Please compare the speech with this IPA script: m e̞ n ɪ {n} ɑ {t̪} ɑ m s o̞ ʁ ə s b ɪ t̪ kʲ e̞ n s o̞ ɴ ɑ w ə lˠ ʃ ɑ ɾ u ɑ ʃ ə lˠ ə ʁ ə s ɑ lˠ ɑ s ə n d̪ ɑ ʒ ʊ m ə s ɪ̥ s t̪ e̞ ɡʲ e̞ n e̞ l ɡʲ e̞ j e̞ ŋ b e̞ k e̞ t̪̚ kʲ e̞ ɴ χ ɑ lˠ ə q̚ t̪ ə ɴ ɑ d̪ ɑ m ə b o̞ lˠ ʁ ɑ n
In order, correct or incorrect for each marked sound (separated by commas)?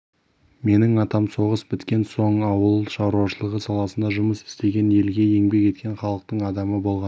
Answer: incorrect, correct